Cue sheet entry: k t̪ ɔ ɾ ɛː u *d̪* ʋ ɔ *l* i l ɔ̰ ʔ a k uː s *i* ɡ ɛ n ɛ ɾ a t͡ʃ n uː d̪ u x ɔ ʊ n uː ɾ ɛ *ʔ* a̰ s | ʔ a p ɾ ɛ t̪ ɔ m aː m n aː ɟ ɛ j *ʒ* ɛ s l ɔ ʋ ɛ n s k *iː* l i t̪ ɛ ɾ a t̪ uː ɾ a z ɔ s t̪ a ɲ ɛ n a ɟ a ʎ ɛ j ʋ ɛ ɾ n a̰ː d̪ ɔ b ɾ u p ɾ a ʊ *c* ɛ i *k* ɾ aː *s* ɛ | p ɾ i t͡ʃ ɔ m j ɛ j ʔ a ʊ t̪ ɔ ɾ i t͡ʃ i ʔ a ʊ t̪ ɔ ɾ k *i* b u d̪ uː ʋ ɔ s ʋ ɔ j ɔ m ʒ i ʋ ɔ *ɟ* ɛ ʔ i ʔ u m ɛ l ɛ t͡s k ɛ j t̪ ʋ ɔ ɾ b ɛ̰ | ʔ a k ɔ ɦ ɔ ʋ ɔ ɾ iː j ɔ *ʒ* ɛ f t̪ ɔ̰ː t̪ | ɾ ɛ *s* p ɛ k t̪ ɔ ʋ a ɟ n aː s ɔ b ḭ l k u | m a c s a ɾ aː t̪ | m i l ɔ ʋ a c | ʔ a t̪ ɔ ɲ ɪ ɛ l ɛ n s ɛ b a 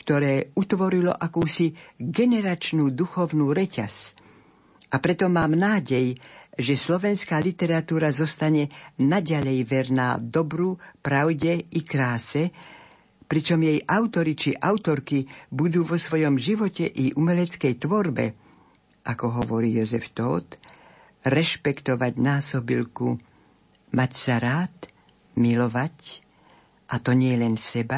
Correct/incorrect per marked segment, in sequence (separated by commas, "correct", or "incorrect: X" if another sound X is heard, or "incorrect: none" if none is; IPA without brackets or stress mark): incorrect: t̪, incorrect: ɾ, correct, incorrect: c, correct, incorrect: aː, incorrect: ɟ, correct, correct, correct, incorrect: c, incorrect: z, incorrect: ʃ